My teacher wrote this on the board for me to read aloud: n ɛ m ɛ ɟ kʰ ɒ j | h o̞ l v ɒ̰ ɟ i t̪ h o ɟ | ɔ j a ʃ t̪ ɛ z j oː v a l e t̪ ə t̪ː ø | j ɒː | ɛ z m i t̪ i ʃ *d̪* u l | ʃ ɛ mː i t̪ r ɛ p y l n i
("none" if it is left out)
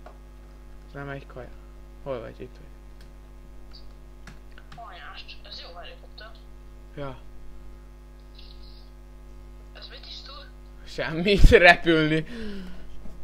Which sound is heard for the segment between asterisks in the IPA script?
t̪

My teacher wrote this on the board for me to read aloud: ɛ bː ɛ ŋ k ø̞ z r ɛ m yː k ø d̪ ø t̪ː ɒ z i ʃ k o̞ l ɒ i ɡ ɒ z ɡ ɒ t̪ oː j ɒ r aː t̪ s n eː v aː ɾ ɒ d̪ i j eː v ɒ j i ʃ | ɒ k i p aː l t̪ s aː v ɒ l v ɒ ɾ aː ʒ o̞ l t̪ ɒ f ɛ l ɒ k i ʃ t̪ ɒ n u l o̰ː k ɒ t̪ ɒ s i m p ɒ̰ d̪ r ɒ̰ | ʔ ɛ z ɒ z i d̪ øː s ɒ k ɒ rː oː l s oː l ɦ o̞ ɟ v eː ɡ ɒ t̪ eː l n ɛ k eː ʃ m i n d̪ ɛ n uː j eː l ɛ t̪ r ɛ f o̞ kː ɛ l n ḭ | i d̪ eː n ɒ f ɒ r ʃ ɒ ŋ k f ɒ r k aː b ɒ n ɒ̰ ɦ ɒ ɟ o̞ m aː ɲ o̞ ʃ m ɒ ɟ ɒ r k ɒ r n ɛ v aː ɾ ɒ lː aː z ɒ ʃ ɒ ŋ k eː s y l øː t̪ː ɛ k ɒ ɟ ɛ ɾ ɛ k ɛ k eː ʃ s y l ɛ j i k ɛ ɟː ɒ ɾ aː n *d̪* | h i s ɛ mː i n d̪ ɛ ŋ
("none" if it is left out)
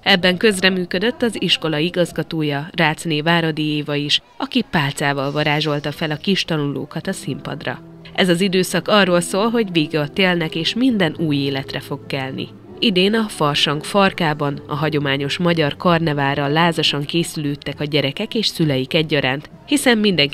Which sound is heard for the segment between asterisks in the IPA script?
t̪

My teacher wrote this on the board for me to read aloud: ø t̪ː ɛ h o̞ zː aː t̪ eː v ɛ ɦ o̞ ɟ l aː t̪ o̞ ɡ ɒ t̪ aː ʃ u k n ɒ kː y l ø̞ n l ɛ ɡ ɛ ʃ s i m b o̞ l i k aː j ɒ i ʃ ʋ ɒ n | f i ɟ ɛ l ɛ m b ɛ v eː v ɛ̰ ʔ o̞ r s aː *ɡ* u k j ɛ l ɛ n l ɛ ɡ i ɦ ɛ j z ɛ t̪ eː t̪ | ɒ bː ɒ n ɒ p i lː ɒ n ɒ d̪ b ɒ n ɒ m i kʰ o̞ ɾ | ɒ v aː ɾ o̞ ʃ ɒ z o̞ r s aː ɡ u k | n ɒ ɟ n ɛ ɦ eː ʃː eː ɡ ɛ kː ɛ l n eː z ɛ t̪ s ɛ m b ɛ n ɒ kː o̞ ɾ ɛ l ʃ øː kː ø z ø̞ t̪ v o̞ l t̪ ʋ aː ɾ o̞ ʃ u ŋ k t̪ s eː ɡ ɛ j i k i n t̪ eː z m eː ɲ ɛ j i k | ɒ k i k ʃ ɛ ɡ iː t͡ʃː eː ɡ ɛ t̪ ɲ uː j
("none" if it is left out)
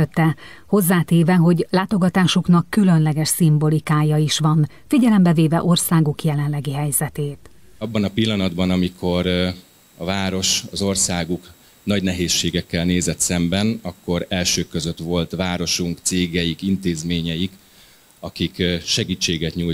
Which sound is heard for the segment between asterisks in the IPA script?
ɡ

